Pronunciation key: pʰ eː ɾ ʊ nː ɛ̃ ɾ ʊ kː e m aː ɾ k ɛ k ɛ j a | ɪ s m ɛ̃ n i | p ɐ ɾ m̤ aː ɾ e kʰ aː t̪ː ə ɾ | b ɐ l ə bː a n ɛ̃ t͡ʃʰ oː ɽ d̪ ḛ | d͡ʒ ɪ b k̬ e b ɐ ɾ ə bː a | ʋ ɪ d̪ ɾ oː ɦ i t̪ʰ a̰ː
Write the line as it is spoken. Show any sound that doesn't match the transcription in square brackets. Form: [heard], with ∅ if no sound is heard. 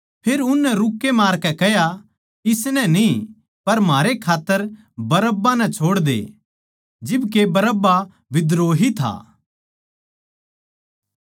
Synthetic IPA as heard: pʰ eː ɾ ʊ nː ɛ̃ ɾ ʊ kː e m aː ɾ k ɛ k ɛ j a | ɪ s [n] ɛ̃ n i | p ɐ ɾ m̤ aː ɾ e kʰ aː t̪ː ə ɾ | b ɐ [ɾ] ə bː a n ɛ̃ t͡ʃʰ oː ɽ d̪ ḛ | d͡ʒ ɪ b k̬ e b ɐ ɾ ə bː a | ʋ ɪ d̪ ɾ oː ɦ i t̪ʰ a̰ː